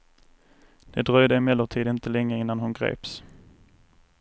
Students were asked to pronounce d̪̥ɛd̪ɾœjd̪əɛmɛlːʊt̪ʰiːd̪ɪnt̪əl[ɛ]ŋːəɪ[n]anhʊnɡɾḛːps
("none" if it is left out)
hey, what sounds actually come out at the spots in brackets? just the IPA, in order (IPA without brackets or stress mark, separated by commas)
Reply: ɛ, nː